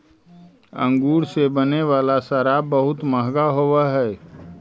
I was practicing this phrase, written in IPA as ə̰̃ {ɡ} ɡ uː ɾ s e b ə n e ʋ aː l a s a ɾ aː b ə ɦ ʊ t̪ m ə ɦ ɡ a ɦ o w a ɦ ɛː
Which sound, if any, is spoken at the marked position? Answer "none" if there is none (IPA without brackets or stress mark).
ŋ